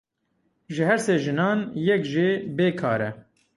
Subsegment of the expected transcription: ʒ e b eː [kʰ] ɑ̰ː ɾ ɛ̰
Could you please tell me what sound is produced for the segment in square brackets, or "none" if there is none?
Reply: kʰ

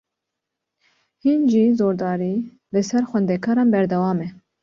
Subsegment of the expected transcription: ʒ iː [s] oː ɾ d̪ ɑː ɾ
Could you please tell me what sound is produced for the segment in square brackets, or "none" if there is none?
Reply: z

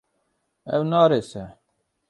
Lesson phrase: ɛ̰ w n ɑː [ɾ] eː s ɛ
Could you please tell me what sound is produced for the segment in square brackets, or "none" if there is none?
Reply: ɾ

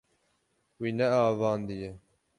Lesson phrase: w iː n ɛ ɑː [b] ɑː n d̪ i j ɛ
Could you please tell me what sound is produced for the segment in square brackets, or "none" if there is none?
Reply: v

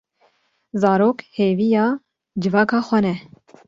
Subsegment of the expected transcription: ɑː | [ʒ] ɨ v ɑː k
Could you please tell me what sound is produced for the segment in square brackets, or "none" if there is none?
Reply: d͡ʒ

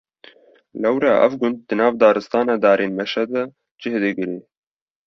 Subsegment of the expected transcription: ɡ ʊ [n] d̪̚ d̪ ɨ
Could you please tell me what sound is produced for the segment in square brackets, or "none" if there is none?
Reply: n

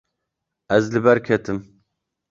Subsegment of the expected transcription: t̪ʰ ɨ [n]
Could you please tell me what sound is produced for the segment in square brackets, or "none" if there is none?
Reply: m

